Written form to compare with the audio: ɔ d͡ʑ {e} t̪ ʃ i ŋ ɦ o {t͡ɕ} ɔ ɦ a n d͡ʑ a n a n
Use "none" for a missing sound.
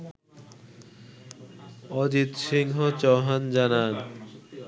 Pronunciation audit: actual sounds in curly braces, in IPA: i, t͡ɕ

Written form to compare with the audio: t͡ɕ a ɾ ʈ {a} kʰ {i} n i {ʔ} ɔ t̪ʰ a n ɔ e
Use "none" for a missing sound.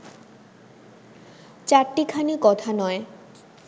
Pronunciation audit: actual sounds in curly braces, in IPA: i, a, k

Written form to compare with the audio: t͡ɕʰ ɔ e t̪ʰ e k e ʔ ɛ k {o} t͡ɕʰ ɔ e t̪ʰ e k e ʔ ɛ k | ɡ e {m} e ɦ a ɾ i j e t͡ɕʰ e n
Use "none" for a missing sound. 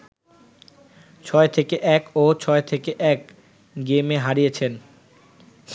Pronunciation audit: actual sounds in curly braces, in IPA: o, m

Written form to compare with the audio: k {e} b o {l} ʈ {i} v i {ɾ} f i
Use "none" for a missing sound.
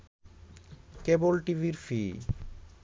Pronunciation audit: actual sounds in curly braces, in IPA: e, l, i, ɾ

